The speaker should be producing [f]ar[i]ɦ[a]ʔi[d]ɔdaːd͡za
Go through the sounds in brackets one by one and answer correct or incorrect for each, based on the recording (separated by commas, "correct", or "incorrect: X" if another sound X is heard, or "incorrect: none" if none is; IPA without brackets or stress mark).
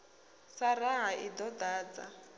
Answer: incorrect: s, incorrect: a, correct, correct